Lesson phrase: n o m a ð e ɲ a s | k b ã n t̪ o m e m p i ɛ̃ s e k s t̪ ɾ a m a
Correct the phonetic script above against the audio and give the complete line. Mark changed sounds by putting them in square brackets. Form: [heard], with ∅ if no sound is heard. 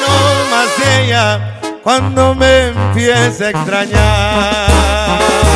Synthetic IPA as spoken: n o m a [z] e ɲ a [∅] | k [w] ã n [d̪] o m e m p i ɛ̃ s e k s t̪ ɾ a [ɲ] a